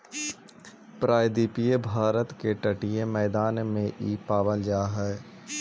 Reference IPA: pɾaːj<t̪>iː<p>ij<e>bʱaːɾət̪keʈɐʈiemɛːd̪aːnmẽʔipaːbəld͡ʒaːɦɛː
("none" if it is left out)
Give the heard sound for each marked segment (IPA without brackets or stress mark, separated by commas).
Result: d̪, p, e